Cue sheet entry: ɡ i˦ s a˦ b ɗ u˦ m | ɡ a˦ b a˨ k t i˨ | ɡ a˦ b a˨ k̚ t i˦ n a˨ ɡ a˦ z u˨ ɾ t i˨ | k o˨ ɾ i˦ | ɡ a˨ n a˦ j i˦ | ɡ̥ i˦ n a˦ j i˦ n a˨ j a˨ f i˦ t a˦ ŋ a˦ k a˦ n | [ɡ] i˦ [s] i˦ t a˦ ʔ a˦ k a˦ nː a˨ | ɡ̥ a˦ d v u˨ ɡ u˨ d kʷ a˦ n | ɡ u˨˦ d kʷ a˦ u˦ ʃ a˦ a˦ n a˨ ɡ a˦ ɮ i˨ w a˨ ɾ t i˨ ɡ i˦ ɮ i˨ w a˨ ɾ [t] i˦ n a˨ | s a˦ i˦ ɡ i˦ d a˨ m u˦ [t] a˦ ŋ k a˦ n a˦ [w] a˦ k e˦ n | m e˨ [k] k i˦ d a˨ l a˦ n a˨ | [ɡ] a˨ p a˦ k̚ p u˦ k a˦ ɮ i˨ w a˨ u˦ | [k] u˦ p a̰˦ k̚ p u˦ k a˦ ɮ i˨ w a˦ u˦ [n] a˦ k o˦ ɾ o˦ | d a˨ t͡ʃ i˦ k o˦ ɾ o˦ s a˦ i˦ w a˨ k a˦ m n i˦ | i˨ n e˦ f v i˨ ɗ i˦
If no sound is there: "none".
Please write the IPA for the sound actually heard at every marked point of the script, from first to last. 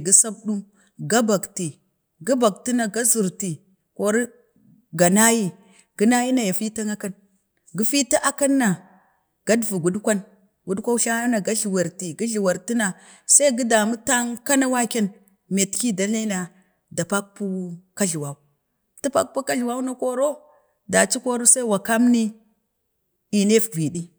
ɡ, f, t, t, w, t, d, t, n

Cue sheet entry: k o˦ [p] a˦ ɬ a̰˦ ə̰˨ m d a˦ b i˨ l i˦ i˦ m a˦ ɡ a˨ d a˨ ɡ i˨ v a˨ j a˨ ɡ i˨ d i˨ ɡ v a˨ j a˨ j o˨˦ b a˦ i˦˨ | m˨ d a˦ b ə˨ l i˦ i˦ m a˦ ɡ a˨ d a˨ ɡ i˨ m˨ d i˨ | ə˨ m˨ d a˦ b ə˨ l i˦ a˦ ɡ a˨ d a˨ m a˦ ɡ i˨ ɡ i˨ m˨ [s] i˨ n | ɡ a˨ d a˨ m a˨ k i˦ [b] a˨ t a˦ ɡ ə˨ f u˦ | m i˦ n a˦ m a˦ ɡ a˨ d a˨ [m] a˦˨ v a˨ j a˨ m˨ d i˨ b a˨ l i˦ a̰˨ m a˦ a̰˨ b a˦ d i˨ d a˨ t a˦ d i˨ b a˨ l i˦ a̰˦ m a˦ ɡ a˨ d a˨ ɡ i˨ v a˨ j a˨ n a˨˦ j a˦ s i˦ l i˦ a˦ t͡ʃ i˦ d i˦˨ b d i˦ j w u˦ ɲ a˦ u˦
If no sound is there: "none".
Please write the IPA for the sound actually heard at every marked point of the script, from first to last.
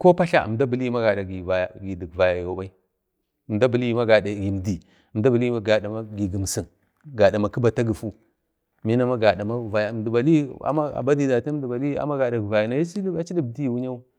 p, s, b, m

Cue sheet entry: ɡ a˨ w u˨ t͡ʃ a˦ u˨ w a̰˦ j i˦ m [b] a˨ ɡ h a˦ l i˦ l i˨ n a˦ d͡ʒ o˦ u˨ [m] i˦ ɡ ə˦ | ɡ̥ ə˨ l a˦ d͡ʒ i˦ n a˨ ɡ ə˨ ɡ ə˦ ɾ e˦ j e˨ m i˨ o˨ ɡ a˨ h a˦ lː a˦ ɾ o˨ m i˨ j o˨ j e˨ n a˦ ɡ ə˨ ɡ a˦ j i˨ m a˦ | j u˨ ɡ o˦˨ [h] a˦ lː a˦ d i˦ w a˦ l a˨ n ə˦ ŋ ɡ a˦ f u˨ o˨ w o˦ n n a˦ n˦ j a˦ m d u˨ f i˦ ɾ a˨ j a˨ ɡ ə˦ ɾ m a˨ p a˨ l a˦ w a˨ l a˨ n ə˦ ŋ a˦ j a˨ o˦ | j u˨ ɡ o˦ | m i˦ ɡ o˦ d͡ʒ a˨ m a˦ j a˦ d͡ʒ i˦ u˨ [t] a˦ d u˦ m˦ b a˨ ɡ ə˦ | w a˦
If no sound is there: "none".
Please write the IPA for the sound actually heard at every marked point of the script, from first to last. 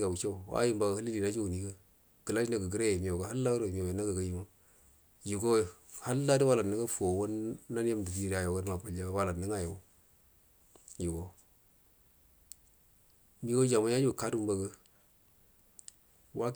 b, n, h, k

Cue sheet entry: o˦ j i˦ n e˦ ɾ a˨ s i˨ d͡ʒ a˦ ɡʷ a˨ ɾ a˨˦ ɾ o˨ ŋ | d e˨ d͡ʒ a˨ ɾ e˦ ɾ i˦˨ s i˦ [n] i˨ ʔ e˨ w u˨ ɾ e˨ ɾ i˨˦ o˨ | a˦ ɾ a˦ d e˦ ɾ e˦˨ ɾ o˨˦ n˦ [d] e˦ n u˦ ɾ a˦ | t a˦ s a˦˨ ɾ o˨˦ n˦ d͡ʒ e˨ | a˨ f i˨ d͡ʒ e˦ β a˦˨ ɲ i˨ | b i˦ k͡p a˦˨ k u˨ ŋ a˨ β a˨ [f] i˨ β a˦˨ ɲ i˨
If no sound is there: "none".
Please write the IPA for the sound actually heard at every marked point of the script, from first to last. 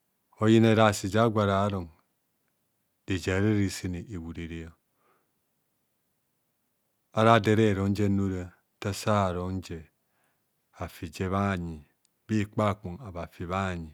n, d͡ʒ, f

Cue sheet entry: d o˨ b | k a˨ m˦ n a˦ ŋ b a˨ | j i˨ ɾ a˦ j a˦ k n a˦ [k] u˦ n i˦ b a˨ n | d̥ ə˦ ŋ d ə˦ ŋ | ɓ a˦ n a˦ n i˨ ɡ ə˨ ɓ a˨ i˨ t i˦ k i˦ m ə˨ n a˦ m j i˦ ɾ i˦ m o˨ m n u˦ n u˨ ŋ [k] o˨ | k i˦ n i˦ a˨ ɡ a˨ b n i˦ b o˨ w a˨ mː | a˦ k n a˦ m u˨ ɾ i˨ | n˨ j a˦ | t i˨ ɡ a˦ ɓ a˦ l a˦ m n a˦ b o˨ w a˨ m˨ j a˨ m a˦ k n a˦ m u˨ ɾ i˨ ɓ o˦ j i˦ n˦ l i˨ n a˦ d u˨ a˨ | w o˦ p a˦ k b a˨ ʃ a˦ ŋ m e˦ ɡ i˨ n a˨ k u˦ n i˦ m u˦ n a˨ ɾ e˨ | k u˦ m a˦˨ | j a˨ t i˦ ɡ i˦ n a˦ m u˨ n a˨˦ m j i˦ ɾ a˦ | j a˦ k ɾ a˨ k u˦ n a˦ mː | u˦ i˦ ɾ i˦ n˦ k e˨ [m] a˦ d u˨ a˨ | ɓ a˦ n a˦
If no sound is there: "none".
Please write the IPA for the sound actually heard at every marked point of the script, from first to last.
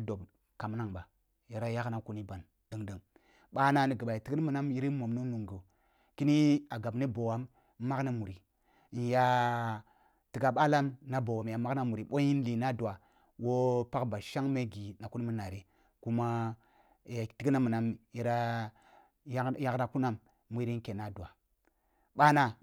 k, ɡ, n

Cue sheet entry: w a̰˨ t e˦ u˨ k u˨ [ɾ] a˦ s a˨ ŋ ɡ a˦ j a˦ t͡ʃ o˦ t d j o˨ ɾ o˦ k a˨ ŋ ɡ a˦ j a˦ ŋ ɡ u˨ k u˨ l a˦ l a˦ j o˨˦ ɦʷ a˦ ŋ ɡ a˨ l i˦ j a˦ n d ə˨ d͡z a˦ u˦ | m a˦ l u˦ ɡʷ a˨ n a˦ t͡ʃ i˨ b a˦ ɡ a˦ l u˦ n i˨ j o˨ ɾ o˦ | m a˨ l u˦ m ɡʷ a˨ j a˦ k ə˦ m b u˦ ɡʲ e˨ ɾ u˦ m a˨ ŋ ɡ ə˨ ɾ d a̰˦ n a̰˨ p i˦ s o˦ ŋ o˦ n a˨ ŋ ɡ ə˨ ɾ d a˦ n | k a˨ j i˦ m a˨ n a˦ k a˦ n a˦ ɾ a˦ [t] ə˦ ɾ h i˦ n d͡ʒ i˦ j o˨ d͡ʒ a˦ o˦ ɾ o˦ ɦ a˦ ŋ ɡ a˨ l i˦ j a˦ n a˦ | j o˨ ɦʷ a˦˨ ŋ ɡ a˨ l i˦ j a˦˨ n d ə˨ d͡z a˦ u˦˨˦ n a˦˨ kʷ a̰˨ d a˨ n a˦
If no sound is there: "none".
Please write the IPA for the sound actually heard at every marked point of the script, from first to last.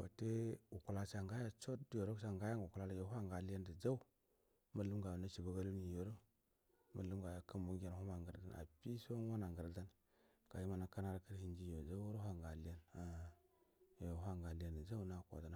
l, k

